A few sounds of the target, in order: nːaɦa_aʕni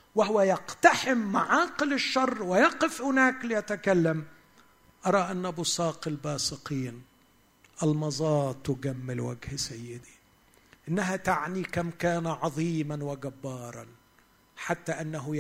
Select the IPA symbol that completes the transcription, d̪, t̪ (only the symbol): t̪